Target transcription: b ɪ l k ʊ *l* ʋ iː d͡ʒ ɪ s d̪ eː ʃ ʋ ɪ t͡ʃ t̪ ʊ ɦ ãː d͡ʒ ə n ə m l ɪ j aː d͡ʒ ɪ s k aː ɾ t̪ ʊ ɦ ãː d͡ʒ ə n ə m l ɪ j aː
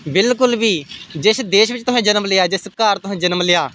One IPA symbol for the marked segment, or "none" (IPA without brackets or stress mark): l